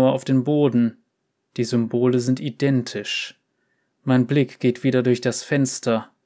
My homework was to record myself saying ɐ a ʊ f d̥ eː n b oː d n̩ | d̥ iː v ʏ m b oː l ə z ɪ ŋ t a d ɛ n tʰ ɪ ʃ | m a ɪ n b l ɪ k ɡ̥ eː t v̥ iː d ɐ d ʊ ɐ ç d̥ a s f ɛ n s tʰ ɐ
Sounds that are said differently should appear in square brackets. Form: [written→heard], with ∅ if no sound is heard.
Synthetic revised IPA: ɐ a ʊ f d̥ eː n b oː d n̩ | d̥ iː [v→z] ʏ m b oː l ə z ɪ [ŋ→n] t [a→i] d ɛ n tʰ ɪ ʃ | m a ɪ n b l ɪ k ɡ̥ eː t v̥ iː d ɐ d ʊ ɐ ç d̥ a s f ɛ n s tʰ ɐ